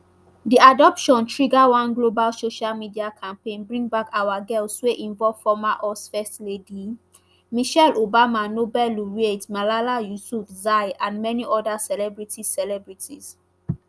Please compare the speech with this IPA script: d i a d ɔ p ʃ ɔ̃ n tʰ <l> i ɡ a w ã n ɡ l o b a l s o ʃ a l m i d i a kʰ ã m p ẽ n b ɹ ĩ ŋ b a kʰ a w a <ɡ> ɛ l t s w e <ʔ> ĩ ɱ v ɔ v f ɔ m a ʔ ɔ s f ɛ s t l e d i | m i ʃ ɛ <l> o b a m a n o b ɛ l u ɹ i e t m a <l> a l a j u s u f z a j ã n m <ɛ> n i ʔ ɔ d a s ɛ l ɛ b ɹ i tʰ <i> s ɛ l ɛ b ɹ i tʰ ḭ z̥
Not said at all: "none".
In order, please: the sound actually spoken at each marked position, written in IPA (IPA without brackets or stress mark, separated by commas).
ɹ, ɡ, ʔ, l, l, ɛ, i